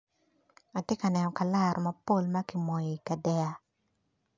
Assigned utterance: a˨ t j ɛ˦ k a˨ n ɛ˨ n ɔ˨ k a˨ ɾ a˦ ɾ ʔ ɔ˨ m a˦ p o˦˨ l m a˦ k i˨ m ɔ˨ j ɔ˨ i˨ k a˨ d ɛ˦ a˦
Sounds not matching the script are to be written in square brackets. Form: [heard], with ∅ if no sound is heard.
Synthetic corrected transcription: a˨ t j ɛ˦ k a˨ n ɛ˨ n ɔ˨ k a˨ [l] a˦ ɾ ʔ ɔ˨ m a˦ p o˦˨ l m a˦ k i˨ m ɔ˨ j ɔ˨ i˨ k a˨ d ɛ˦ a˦